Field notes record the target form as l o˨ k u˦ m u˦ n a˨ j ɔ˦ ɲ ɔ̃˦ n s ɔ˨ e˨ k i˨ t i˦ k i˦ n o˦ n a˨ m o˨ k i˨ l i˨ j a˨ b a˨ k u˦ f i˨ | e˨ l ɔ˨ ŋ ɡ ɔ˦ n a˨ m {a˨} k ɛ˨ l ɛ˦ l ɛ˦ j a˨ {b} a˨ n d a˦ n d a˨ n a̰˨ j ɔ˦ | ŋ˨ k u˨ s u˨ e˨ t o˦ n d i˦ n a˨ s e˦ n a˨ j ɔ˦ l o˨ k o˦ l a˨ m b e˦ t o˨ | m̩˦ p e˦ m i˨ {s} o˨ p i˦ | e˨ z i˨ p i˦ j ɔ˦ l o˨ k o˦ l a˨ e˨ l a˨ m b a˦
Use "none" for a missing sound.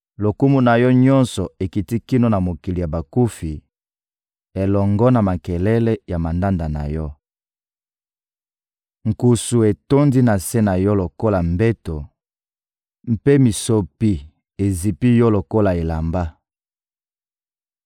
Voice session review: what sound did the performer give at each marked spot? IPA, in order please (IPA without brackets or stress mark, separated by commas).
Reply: a˨, m, s